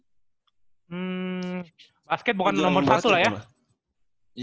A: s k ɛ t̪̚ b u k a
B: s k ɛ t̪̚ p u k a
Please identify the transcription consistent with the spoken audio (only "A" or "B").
A